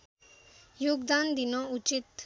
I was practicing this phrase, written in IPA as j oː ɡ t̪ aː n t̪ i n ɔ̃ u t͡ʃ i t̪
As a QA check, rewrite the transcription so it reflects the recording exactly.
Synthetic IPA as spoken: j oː ɡ d̪ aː n d̪ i n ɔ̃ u t͡ʃ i t̪